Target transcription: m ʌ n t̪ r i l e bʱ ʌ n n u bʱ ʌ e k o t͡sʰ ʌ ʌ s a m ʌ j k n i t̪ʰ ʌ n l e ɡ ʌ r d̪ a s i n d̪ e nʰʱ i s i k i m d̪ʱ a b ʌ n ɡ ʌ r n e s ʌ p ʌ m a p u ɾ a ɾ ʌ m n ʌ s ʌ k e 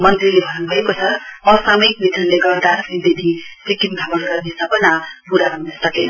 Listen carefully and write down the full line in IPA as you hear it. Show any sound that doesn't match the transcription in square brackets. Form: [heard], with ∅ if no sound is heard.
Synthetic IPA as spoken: m ʌ n t̪ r i l e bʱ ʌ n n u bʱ ʌ e k o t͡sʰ ʌ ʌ s a m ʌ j k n i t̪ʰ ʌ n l e ɡ ʌ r d̪ a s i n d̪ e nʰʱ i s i k i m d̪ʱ a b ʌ n ɡ ʌ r n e s ʌ p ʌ [n] a p u ɾ a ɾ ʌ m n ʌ s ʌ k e